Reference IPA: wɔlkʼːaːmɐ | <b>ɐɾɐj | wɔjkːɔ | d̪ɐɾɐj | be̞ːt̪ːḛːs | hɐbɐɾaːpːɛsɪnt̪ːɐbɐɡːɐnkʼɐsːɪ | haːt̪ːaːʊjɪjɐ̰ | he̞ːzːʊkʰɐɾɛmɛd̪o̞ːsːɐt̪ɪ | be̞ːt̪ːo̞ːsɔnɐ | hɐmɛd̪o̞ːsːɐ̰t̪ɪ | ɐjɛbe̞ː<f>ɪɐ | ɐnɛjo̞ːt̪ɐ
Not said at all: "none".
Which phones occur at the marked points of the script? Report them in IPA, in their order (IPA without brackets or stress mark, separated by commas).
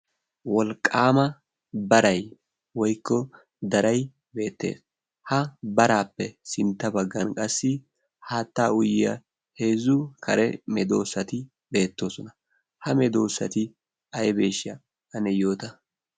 b, ʃ